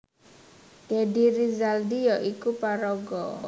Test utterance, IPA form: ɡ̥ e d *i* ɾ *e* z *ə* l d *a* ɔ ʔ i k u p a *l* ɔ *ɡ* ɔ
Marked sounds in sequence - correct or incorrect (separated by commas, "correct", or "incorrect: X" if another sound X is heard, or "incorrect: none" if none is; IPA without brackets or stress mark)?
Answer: correct, incorrect: i, incorrect: a, incorrect: i, incorrect: ɾ, correct